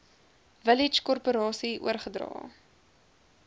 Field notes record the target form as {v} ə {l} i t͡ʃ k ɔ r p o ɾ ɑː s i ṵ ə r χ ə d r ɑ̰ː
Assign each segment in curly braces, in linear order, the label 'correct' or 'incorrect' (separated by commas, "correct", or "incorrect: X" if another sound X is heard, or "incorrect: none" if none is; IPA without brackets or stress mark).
correct, correct